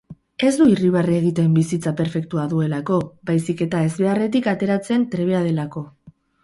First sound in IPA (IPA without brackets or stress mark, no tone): e̞